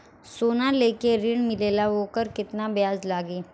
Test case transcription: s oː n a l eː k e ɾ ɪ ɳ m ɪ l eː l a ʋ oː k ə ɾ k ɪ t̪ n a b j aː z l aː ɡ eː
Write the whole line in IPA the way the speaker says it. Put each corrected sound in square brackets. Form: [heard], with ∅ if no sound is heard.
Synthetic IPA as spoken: s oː n a l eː k e ɾ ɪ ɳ m ɪ l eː l a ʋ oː k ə ɾ k ɪ t̪ n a b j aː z l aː ɡ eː